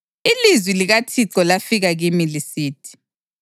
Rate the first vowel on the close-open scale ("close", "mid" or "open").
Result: close